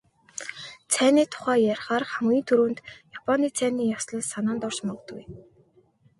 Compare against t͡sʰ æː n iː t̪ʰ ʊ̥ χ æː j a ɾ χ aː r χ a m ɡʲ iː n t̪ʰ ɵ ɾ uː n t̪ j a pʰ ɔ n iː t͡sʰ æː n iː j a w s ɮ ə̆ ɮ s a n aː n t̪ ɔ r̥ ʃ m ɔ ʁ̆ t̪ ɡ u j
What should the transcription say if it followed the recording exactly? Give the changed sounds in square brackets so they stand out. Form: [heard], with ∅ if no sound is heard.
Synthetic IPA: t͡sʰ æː n iː t̪ʰ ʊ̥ χ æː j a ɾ χ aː r χ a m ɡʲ iː n t̪ʰ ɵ ɾ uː n t̪ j a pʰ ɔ n iː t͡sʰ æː n iː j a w s ɮ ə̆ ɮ s a n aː n t̪ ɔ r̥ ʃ m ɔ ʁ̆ t̪ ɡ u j